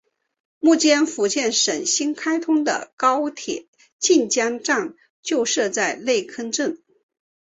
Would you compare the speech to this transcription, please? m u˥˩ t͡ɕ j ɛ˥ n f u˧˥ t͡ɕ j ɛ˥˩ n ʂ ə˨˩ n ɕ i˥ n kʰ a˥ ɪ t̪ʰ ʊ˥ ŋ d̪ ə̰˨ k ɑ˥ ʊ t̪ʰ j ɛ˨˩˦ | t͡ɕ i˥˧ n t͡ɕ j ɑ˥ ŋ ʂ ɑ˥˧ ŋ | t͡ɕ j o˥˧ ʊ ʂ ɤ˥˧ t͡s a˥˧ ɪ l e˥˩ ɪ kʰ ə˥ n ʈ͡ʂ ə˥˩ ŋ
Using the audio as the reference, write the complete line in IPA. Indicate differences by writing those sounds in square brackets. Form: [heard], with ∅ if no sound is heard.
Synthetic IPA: m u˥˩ t͡ɕ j ɛ˥ n f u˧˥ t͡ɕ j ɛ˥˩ n ʂ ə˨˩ n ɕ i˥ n kʰ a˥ ɪ t̪ʰ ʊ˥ ŋ d̪ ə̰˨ k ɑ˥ ʊ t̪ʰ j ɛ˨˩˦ | t͡ɕ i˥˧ n t͡ɕ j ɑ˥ ŋ [ʈ͡ʂ] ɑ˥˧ ŋ | t͡ɕ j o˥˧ ʊ ʂ ɤ˥˧ t͡s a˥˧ ɪ l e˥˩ ɪ kʰ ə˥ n ʈ͡ʂ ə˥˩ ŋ